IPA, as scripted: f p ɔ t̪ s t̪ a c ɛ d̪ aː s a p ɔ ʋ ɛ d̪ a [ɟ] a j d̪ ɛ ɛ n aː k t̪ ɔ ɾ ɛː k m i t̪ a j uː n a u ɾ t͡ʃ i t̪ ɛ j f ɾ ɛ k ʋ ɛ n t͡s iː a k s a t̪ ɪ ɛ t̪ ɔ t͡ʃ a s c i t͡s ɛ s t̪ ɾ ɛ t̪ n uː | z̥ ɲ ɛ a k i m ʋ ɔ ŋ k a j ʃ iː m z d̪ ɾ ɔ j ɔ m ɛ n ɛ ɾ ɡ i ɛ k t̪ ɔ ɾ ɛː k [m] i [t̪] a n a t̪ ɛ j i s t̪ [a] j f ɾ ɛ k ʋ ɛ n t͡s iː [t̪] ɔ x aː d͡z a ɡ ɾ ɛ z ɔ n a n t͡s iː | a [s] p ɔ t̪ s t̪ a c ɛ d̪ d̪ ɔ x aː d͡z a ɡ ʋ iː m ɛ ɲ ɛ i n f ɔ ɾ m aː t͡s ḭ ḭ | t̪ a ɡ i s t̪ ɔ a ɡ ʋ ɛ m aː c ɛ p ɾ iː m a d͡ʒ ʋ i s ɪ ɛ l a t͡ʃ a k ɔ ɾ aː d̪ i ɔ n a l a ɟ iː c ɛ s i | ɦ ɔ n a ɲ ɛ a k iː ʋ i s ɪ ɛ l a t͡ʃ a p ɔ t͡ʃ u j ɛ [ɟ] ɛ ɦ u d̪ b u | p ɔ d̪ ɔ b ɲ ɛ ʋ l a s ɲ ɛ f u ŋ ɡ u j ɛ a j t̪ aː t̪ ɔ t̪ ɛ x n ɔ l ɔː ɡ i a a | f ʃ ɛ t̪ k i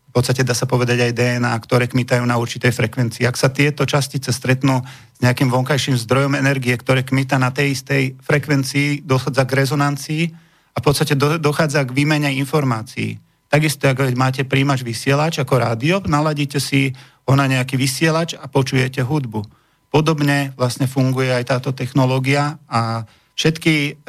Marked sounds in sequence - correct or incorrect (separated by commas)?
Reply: correct, correct, correct, incorrect, incorrect, incorrect, incorrect